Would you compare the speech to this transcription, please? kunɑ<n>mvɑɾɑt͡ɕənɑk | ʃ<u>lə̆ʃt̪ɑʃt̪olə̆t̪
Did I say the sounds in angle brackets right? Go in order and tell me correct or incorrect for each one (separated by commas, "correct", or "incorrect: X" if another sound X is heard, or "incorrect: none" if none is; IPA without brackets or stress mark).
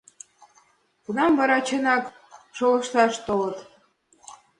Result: incorrect: none, incorrect: o